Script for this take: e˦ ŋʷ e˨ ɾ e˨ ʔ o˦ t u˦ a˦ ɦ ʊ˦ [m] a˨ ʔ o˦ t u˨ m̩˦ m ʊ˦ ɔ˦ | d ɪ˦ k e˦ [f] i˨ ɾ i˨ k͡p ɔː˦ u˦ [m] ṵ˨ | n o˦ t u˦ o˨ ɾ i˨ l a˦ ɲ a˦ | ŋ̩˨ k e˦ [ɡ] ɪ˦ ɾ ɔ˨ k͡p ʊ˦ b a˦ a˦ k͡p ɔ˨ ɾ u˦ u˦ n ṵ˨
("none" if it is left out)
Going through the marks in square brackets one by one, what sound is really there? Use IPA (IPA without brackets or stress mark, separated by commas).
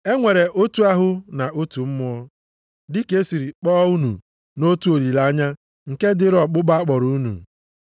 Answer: n, s, n, d